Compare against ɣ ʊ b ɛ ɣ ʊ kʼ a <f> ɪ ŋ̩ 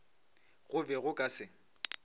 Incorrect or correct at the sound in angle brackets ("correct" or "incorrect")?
incorrect